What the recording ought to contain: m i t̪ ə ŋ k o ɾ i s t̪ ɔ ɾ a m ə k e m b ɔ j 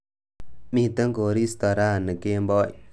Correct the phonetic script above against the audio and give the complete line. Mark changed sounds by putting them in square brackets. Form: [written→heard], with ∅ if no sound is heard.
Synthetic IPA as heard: m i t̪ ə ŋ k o ɾ i s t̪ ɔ ɾ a [m→n] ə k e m b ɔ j